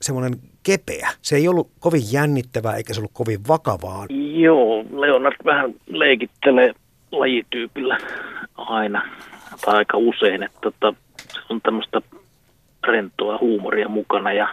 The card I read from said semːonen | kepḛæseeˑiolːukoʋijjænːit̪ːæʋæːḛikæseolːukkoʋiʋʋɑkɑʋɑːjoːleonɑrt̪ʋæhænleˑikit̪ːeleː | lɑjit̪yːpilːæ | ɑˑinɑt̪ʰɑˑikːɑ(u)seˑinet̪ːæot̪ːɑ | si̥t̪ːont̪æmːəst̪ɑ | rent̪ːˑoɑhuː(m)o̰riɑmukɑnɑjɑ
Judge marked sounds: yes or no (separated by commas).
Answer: yes, yes